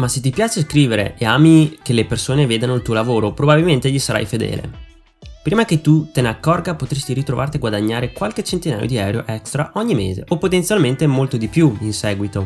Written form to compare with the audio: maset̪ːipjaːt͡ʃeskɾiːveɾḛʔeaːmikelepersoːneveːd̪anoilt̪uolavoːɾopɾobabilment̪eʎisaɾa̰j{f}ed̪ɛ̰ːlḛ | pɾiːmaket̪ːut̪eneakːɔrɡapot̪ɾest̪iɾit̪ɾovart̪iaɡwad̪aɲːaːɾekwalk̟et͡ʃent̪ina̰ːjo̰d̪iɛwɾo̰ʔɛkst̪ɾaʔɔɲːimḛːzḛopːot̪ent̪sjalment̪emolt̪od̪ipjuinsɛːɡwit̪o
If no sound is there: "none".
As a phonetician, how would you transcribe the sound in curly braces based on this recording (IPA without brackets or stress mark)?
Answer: f